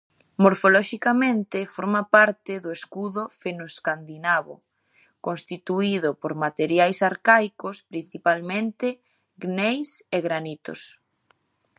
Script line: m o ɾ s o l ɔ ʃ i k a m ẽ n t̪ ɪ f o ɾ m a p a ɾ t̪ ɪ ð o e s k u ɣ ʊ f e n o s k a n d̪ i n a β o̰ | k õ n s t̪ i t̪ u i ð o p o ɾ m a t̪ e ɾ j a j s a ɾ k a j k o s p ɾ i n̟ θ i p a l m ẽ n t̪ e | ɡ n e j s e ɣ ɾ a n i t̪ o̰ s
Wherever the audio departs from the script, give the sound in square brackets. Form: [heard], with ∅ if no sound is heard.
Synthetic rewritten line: m o ɾ [f] o l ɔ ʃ i k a m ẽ n t̪ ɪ f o ɾ m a p a ɾ t̪ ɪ ð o e s k u [ð] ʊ f e n o s k a n d̪ i n a β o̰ | k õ n s t̪ i t̪ u i ð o p o ɾ m a t̪ e ɾ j a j s a ɾ k a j k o s p ɾ i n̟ θ i p a l m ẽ n t̪ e | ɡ n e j s e ɣ ɾ a n i t̪ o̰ s